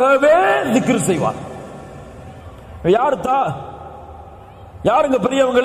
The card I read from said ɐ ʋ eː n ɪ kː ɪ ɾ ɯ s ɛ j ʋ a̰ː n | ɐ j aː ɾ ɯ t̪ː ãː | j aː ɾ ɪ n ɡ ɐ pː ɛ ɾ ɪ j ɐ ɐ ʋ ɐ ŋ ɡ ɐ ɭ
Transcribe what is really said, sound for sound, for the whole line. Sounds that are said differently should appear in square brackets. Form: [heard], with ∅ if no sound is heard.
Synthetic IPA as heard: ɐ ʋ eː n ɪ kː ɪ ɾ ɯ s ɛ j ʋ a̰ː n | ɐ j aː ɾ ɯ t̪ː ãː | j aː ɾ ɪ [ŋ] ɡ ɐ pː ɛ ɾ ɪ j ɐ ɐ ʋ ɐ ŋ ɡ ɐ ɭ

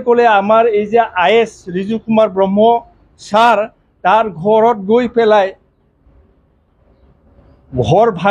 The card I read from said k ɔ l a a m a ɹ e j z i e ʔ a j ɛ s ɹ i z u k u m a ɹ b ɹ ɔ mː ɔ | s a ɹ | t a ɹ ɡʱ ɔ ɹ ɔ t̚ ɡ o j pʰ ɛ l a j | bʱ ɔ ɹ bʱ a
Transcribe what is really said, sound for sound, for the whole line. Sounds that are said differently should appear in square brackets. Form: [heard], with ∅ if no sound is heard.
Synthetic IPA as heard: k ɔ l [ɛ] a m a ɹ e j z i [a] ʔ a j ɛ s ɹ i z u k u m a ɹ b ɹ ɔ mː ɔ | s a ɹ | t a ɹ ɡʱ ɔ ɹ ɔ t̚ ɡ o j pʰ ɛ l a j | [ɡʱ] ɔ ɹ bʱ a

